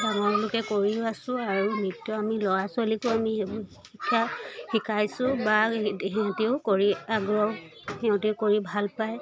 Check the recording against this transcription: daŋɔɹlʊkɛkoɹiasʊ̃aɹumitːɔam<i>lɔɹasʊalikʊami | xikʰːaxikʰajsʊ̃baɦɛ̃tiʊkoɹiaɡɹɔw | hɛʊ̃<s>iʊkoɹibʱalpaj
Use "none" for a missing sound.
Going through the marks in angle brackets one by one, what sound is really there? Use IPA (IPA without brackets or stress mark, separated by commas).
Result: i, t